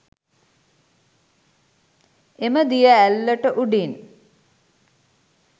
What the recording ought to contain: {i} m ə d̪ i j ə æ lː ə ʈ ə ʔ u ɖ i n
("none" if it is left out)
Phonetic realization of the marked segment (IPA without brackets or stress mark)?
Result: e